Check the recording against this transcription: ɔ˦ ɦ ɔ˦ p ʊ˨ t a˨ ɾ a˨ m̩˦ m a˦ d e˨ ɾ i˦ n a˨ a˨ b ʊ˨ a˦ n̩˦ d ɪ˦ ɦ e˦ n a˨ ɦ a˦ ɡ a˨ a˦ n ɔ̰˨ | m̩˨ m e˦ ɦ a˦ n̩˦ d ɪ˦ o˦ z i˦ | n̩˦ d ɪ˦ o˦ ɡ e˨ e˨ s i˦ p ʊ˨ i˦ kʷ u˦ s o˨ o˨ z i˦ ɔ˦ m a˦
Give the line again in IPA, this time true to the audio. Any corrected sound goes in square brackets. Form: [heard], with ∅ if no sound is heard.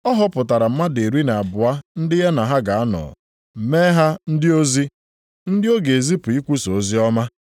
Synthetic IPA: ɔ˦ ɦ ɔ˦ p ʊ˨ t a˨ ɾ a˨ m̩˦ m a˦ d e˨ ɾ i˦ n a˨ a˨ b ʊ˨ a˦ n̩˦ d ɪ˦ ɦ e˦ n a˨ ɦ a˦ ɡ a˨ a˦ n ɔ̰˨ | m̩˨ m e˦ ɦ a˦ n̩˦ d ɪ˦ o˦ z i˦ | n̩˦ d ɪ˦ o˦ ɡ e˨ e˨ [z] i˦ p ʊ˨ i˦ kʷ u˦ s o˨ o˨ z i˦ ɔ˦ m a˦

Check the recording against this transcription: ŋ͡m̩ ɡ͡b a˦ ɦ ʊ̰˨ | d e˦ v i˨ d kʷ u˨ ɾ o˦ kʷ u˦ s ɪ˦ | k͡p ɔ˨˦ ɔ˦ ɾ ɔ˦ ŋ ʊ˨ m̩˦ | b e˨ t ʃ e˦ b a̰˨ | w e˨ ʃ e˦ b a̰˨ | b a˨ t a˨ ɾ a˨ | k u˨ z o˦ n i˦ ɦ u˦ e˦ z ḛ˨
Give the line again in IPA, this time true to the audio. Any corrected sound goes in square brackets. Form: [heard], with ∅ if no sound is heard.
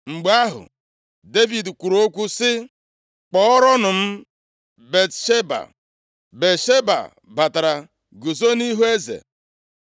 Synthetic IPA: ŋ͡m̩ ɡ͡b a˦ ɦ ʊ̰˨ | d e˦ v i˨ d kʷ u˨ ɾ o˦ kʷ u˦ s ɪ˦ | k͡p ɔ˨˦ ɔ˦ ɾ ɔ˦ [n] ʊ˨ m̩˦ | b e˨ t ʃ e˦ b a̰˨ | [b] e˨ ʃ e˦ b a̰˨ | b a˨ t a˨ ɾ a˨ | [ɡ] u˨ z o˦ n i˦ ɦ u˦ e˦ z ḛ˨

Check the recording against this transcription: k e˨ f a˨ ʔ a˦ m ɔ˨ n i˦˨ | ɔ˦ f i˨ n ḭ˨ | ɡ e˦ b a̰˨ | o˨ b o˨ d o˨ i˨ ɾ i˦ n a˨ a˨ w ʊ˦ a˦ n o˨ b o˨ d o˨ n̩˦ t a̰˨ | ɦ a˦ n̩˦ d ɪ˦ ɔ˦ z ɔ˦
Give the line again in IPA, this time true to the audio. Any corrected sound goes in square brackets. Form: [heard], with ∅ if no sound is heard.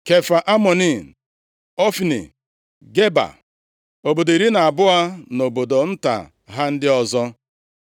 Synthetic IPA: k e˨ f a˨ ʔ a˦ m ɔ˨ n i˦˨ | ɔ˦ f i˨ n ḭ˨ | ɡ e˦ b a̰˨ | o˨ b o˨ d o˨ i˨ ɾ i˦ n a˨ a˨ [b] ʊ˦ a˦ n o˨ b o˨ d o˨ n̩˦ t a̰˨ | ɦ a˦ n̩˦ d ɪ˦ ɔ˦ z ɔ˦

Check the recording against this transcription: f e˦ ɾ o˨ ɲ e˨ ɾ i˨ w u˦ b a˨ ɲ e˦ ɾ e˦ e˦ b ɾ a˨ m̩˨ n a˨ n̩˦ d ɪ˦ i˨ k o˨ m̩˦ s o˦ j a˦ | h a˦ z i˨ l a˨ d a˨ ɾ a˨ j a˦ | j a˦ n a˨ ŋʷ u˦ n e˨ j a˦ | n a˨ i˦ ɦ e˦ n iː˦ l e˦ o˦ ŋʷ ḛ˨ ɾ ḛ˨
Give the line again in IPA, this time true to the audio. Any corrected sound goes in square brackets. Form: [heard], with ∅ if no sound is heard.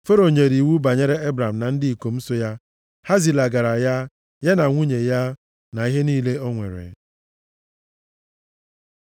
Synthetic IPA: f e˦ ɾ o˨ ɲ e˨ ɾ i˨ w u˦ b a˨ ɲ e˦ ɾ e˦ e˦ b ɾ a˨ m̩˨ n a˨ n̩˦ d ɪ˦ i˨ k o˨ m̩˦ s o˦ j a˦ | h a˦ z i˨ l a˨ [ɡ] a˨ ɾ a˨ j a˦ | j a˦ n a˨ ŋʷ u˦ [ɲ] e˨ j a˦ | n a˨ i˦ ɦ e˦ n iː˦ l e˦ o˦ ŋʷ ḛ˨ ɾ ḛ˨

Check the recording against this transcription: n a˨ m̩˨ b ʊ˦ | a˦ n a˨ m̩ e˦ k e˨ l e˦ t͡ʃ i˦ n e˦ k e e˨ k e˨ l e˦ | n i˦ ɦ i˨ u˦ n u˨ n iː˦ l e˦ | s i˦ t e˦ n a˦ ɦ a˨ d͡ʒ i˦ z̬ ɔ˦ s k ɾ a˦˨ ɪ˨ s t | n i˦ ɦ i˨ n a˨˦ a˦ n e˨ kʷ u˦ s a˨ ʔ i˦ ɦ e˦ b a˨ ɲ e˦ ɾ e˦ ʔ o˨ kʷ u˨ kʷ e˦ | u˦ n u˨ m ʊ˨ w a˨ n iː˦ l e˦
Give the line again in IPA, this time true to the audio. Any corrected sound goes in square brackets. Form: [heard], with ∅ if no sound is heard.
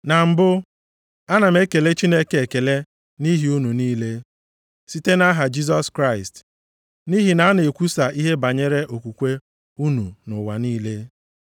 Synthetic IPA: n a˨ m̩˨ b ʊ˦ | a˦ n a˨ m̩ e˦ k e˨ l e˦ t͡ʃ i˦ n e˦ k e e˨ k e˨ l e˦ | n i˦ ɦ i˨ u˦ n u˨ n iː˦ l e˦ | s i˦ t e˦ n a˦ ɦ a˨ d͡ʒ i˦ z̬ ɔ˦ s k ɾ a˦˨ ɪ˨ s t | n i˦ ɦ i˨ n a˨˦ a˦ n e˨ kʷ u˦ s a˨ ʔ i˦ ɦ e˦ b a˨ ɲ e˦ ɾ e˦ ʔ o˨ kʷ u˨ kʷ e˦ | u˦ n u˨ [n] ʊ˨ w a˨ n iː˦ l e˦

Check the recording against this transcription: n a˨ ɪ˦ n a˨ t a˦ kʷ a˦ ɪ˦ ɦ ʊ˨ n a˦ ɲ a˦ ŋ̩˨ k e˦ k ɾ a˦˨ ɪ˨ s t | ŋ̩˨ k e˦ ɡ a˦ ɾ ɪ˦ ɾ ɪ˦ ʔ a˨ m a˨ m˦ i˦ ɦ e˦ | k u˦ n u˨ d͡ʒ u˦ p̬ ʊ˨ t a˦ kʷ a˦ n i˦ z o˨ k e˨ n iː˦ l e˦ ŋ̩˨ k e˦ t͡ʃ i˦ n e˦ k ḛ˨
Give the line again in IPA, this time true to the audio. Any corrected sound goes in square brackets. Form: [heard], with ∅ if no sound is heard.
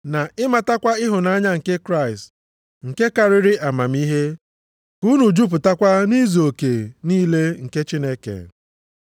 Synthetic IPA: n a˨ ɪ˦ [m] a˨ t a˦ kʷ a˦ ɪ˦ ɦ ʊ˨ n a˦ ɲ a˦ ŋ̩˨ k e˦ k ɾ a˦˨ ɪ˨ s t | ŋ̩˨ k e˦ [k] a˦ ɾ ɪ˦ ɾ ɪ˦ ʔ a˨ m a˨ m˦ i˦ ɦ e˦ | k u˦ n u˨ d͡ʒ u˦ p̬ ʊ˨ t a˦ kʷ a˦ n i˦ z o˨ k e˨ n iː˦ l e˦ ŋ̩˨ k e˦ t͡ʃ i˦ n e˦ k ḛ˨

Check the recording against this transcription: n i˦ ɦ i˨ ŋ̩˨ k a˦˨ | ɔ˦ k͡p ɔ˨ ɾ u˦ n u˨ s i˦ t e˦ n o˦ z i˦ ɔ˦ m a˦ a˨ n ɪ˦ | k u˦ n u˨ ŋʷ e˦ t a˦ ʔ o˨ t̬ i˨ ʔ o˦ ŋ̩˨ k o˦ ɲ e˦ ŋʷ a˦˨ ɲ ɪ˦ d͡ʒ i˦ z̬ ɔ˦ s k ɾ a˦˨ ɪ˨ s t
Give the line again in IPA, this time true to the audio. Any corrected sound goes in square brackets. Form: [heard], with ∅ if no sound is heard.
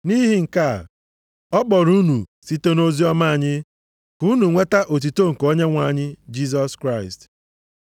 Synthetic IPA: n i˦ ɦ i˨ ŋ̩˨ k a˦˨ | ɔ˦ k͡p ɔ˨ ɾ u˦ n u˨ s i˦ t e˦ n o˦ z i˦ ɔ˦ m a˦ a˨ [ɲ] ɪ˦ | k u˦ n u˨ ŋʷ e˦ t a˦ ʔ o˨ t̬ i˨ [t] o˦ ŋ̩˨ k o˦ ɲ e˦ ŋʷ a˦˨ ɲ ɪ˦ d͡ʒ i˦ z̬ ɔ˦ s k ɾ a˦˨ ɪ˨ s t

